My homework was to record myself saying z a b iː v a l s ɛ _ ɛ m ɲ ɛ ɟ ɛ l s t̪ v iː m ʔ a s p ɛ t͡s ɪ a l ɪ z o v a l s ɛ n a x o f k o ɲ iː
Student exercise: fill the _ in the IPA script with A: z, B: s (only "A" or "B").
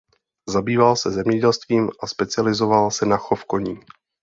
A